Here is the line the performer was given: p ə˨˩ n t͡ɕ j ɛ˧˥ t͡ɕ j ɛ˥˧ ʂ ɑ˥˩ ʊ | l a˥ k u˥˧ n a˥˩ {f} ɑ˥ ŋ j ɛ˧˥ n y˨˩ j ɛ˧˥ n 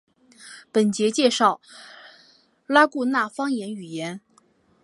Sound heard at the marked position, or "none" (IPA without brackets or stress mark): f